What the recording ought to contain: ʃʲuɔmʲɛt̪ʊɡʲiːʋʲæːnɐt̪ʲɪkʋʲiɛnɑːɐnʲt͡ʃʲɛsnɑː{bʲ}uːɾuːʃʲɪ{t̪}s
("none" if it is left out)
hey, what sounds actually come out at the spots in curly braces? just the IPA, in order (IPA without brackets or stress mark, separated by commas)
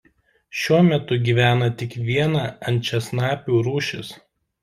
pʲ, none